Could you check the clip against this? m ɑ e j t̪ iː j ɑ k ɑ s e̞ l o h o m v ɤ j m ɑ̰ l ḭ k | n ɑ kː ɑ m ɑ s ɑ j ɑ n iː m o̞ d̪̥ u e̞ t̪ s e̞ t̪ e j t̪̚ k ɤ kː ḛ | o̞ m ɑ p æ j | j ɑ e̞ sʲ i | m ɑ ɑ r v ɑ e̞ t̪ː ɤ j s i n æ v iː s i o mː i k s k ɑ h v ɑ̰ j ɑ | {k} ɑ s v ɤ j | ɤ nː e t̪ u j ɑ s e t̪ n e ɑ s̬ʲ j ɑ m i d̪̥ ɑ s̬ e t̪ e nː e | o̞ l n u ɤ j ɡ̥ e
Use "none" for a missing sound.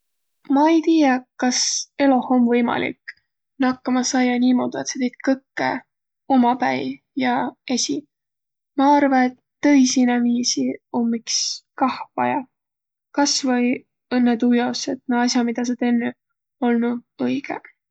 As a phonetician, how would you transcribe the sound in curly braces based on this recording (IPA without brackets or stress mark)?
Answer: k